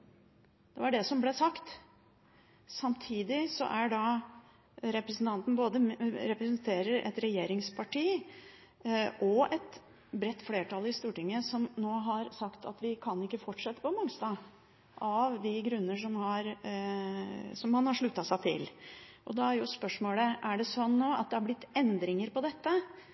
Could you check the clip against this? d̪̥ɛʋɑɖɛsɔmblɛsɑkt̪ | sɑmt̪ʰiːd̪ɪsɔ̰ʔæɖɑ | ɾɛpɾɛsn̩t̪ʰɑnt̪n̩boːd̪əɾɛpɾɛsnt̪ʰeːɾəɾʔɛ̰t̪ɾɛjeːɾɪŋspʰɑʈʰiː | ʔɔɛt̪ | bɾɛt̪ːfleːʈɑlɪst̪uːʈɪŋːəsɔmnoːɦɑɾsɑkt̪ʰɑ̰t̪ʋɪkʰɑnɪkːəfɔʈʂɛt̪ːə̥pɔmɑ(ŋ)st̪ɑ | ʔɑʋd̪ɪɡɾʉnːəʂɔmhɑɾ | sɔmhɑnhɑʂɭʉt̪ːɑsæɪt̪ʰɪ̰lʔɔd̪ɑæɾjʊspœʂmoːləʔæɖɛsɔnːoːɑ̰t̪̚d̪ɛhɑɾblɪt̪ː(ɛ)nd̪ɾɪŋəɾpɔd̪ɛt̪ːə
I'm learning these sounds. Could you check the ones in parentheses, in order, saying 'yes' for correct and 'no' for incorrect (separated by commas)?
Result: yes, yes